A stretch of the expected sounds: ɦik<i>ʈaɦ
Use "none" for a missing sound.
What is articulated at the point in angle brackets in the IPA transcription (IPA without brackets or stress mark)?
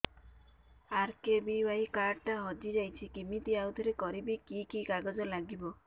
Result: a